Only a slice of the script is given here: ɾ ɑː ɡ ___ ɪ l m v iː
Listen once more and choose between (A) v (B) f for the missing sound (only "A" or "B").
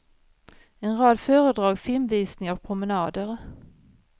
B